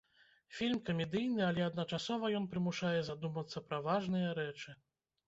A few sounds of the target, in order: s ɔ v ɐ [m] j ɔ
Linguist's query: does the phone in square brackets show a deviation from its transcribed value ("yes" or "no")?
yes